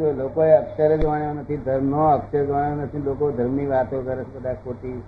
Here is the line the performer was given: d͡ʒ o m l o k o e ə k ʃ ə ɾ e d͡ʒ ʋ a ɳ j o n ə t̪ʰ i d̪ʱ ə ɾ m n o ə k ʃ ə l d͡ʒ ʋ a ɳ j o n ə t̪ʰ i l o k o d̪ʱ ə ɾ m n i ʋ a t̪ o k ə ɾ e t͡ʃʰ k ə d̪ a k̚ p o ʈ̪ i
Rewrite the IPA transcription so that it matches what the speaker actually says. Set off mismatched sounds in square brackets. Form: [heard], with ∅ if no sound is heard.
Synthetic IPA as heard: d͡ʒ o [∅] l o k o e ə k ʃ ə ɾ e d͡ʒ ʋ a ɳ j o n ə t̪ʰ i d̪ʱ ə ɾ m n o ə k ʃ ə [ɾ] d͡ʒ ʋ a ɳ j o n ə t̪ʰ i l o k o d̪ʱ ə ɾ m n i ʋ a t̪ o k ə ɾ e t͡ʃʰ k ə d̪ a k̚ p o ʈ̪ i